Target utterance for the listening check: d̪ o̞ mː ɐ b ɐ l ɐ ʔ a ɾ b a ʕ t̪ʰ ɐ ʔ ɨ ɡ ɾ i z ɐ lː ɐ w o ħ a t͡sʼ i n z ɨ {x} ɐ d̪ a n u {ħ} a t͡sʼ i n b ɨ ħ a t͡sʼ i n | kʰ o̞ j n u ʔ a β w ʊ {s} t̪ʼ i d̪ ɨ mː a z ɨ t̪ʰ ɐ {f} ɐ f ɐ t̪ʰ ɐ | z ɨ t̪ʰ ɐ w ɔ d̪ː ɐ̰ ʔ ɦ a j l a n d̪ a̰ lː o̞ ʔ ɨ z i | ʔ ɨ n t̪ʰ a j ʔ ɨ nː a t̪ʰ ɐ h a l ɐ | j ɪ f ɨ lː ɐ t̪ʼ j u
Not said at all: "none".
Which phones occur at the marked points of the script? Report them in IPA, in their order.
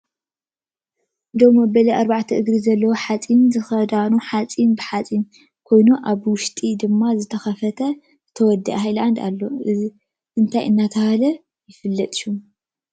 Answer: x, ħ, ʃ, x

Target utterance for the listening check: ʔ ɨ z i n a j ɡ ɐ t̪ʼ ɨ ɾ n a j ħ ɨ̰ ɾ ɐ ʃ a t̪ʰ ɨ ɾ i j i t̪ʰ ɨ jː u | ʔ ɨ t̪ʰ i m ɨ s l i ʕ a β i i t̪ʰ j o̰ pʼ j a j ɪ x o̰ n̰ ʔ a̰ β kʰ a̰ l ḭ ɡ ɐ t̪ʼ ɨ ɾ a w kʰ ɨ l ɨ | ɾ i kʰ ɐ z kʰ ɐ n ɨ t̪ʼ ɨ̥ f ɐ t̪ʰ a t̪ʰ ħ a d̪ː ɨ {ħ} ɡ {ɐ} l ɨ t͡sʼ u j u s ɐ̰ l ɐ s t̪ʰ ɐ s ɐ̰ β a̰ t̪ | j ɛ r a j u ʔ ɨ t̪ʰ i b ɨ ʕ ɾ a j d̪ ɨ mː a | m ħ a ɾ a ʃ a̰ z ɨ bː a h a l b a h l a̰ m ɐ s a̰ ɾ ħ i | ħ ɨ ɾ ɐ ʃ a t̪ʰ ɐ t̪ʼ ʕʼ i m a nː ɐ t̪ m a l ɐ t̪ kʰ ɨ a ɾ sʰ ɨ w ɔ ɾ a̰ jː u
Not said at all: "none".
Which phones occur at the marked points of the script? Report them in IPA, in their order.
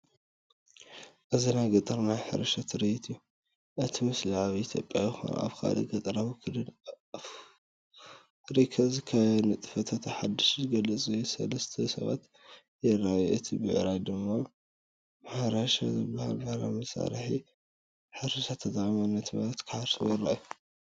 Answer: ʃ, ɐ

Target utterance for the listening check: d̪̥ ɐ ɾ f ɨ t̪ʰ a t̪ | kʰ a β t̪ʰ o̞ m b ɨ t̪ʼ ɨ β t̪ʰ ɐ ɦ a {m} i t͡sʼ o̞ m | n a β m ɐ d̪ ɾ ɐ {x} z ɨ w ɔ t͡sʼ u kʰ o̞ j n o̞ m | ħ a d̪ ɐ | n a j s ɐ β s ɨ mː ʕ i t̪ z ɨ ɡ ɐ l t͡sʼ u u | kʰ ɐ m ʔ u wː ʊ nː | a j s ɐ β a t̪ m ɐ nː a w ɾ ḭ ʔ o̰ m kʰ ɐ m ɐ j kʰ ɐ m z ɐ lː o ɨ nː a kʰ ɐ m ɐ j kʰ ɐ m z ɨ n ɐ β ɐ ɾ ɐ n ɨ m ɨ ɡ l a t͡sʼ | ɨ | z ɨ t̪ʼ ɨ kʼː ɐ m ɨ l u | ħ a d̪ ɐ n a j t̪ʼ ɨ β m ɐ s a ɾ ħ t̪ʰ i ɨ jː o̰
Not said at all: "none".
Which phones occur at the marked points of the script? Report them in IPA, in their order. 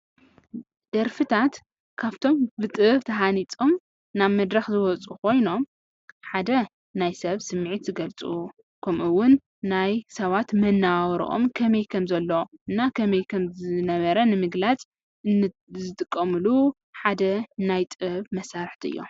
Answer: n, x

